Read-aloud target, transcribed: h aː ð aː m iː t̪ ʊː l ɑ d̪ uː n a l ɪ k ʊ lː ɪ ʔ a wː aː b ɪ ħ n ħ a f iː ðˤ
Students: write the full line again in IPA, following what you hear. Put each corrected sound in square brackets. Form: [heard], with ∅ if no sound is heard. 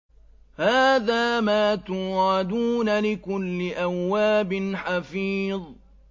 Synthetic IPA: h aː ð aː m [aː] t̪ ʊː [ɾ] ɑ d̪ uː n a l ɪ k ʊ lː ɪ ʔ a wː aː b ɪ [∅] n ħ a f iː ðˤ